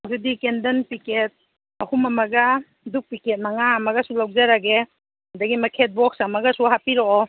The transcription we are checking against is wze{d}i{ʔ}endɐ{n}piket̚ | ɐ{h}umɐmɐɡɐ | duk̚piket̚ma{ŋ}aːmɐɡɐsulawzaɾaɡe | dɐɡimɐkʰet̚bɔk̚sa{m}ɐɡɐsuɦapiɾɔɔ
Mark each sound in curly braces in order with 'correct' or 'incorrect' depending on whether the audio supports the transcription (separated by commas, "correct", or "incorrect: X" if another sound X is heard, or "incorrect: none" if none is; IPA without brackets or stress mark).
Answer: correct, incorrect: k, correct, correct, correct, correct